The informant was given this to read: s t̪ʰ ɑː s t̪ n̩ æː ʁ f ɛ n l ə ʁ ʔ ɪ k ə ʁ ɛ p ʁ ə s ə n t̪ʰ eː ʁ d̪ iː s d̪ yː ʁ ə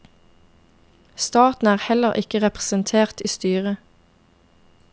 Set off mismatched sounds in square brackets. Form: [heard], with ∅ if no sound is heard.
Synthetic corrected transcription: s [t̪] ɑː [∅] t̪ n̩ æː ʁ [h] ɛ [∅] l ə ʁ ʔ ɪ k ə ʁ ɛ p ʁ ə s ə n t̪ʰ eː ʁ [t̪] iː s [t̪] yː ʁ ə